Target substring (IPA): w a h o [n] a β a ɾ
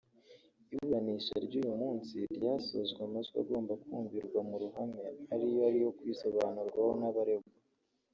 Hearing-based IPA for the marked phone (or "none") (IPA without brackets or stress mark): n